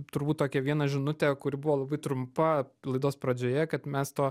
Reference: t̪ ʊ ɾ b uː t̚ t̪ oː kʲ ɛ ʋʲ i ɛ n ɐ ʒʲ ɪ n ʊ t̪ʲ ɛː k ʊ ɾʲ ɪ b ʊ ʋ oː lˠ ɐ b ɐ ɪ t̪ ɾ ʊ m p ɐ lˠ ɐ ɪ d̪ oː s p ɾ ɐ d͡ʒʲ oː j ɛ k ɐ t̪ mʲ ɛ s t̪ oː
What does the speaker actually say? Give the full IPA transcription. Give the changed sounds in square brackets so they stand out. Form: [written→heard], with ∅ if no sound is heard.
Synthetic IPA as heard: t̪ ʊ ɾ b uː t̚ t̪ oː kʲ ɛ ʋʲ i ɛ n ɐ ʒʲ ɪ n ʊ t̪ʲ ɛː k ʊ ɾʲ ɪ b ʊ ʋ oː lˠ ɐ b ɐ ɪ t̪ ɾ ʊ m p ɐ lˠ ɐ ɪ d̪ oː s p ɾ ɐ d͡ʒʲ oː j ɛ k ɐ t̪ mʲ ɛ s t̪ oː